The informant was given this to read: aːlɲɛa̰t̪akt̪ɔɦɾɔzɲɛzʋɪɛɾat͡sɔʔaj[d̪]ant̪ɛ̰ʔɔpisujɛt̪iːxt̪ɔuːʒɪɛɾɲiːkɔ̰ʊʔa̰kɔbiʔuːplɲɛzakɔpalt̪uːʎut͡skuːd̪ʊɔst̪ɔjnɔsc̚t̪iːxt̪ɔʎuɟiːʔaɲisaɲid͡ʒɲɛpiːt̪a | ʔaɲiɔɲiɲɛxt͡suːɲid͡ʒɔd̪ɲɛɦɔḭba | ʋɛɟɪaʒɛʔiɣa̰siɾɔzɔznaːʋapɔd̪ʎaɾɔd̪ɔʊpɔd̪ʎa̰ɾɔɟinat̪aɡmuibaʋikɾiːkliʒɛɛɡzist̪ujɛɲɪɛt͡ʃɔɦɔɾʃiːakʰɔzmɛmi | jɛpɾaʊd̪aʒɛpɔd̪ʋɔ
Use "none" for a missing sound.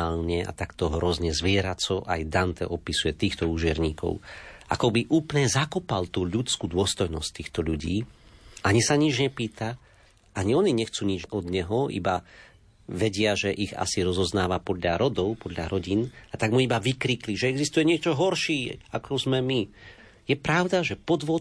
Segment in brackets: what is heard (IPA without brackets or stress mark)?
d̪